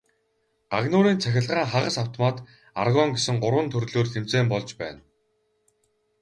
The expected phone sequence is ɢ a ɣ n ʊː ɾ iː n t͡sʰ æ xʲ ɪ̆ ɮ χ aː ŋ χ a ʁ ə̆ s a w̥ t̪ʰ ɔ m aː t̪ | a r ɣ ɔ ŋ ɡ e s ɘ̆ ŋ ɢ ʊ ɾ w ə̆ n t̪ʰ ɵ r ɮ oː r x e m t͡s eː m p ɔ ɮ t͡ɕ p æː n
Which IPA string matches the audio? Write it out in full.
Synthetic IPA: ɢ a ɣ n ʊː ɾ iː n t͡sʰ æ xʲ ɪ̆ ɮ ʁ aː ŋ χ a ʁ ə̆ s a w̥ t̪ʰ ɔ m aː t̪ | a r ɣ ɔ ŋ ɡ e s ɘ̆ ŋ ɢ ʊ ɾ w ə̆ n t̪ʰ ɵ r ɮ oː r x e m t͡s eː m p ɔ ɮ t͡ɕ p æː n